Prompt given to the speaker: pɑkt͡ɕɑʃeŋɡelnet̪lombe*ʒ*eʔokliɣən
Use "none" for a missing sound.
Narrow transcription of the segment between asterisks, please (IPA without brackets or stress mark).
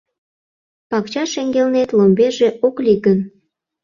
ʒ